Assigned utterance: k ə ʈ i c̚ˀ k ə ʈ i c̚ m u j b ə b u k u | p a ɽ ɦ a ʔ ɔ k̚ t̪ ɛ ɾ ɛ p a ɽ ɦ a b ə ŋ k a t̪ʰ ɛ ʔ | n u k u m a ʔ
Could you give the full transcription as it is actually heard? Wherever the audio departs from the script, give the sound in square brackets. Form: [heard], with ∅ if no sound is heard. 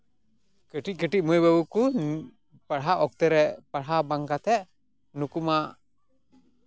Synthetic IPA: k ə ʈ i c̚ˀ k ə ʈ i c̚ m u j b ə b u k u | p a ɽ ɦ a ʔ ɔ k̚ t̪ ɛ ɾ ɛ p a ɽ ɦ a b [a] ŋ k a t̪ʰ ɛ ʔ | n u k u m a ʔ